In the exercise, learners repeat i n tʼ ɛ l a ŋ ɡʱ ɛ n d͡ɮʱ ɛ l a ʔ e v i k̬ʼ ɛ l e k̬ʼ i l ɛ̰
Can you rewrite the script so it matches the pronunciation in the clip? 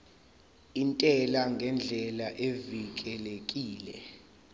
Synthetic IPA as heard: i n tʼ ɛ l a ŋ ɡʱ ɛ n d͡ɮʱ ɛ l a ʔ e v i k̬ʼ ɛ l e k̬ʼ iː l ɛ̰